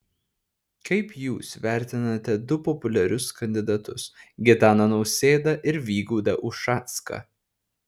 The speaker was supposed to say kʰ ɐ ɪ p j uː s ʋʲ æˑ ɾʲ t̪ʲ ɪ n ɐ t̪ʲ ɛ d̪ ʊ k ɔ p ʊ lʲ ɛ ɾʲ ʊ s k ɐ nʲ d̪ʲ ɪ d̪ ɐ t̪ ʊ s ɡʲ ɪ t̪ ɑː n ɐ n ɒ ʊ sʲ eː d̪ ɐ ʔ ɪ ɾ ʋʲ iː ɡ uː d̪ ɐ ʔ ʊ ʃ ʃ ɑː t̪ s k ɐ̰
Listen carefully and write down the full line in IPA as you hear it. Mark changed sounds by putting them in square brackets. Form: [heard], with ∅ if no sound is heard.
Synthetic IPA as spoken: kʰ ɐ ɪ p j uː s ʋʲ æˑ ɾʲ t̪ʲ ɪ n ɐ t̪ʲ ɛ d̪ ʊ [p] ɔ p ʊ lʲ ɛ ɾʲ ʊ s k ɐ nʲ d̪ʲ ɪ d̪ ɐ t̪ ʊ s ɡʲ ɪ t̪ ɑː n ɐ n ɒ ʊ sʲ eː d̪ ɐ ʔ ɪ ɾ ʋʲ iː ɡ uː d̪ ɐ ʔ ʊ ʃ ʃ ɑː t̪ s k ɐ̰